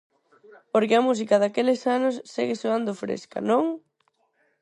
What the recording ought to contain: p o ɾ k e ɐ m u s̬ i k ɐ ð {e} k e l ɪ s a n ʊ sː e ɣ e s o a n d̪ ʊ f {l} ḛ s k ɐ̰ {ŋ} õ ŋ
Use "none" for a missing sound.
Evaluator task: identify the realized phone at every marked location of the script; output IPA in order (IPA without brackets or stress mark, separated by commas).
a, ɾ, n